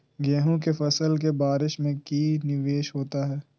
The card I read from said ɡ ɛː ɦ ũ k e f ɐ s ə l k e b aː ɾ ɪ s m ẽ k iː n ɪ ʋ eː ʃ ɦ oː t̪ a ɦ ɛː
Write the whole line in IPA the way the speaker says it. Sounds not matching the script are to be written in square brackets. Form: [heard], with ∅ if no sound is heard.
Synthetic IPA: ɡ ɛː ɦ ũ k e f ɐ s ə l k e b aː ɾ ɪ [ʃ] m ẽ k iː n ɪ ʋ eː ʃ ɦ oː t̪ a ɦ ɛː